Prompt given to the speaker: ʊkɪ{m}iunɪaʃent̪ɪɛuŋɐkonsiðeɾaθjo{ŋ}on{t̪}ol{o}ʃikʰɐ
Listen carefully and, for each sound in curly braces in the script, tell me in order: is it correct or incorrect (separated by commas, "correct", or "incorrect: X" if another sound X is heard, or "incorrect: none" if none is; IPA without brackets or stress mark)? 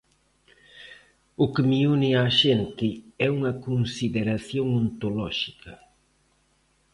correct, correct, correct, incorrect: ɔ